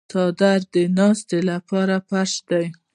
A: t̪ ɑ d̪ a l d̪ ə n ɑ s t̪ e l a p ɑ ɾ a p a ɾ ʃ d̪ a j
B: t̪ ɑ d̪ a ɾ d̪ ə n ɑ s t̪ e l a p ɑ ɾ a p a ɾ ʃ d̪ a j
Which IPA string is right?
B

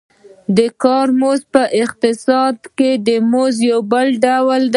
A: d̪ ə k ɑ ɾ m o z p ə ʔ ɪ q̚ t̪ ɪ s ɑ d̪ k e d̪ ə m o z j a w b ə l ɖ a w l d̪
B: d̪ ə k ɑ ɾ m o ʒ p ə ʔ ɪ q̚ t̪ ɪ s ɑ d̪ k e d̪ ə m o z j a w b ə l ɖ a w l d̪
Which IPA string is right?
A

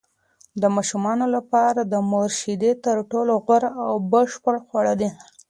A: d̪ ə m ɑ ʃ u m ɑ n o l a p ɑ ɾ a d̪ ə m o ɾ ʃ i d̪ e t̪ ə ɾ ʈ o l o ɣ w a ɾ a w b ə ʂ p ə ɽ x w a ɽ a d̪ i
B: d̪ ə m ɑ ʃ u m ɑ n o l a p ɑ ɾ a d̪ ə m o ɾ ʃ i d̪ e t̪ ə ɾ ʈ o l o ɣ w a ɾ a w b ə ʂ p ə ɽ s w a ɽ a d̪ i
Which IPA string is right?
A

